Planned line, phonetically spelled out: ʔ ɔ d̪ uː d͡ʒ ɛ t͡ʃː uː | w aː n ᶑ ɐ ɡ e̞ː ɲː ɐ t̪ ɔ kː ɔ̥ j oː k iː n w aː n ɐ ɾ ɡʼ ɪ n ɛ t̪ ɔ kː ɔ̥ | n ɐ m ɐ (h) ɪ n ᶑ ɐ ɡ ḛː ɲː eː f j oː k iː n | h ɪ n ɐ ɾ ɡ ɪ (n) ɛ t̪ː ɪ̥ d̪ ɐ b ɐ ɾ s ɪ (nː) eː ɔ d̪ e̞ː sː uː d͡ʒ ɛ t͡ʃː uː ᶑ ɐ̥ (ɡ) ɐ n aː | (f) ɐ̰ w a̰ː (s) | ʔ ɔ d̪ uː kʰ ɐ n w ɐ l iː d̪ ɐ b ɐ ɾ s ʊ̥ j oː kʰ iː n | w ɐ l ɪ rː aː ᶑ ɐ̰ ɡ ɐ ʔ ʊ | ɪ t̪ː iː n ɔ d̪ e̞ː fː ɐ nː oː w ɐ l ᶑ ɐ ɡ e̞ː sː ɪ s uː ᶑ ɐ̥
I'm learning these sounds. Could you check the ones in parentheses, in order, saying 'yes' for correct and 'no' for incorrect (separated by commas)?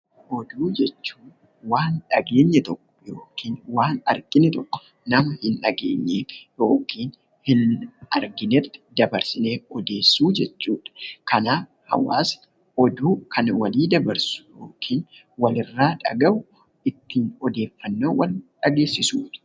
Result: yes, yes, no, no, no, yes